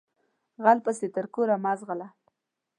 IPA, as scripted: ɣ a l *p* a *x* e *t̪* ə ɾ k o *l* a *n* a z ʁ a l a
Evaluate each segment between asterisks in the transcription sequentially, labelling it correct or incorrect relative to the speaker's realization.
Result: correct, incorrect: s, correct, incorrect: ɾ, incorrect: m

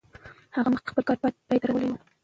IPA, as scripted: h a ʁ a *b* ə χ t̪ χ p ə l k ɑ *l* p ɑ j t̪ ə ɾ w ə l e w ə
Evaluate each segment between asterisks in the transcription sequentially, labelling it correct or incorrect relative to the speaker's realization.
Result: incorrect: m, incorrect: ɾ

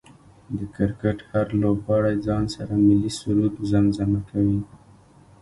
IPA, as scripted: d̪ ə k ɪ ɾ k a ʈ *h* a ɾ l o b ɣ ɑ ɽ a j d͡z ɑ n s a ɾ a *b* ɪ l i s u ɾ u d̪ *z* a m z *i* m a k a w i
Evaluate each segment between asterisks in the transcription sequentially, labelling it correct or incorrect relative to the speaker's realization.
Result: correct, incorrect: m, correct, incorrect: a

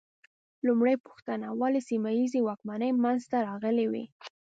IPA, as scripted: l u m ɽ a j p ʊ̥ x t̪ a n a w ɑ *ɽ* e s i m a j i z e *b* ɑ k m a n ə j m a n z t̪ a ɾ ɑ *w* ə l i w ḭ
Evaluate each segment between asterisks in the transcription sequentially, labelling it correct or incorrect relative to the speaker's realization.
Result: incorrect: l, incorrect: w, incorrect: ɣ

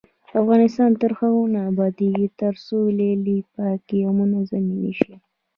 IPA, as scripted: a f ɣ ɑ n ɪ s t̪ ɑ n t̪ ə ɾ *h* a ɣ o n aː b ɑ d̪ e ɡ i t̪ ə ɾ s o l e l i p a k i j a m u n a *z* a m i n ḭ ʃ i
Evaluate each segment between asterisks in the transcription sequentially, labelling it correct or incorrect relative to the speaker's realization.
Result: incorrect: x, correct

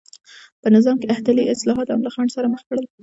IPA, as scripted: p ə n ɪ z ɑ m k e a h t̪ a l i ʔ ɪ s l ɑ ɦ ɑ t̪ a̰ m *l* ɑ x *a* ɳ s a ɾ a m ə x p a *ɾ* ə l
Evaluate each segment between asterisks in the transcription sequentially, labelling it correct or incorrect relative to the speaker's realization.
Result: correct, incorrect: ɑ, incorrect: ɽ

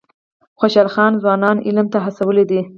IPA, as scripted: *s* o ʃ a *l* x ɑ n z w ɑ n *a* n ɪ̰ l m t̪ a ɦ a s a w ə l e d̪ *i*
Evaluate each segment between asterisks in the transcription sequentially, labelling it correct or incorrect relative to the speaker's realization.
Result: incorrect: x, correct, incorrect: ɑ, correct

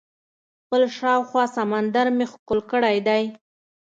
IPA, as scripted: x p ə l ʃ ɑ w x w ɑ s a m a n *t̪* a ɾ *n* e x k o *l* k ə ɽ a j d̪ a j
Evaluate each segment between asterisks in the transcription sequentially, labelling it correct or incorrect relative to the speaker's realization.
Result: incorrect: d̪, incorrect: m, correct

